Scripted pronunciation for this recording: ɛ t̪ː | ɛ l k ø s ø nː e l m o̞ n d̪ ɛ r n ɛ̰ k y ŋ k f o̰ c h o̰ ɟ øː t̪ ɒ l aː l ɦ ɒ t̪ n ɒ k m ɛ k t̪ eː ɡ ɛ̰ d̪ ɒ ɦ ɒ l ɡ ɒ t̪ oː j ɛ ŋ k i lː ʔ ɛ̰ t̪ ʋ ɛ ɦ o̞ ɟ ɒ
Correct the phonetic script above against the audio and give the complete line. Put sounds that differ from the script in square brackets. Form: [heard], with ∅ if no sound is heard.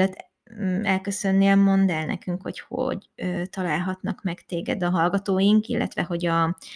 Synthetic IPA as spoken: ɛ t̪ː | ɛ l k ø s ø nː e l m o̞ n d̪ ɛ [l] n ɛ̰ k y ŋ k [h] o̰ c h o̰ ɟ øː t̪ ɒ l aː l ɦ ɒ t̪ n ɒ k m ɛ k t̪ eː ɡ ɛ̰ d̪ ɒ ɦ ɒ l ɡ ɒ t̪ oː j [i] ŋ k i lː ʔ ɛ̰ t̪ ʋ ɛ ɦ o̞ ɟ ɒ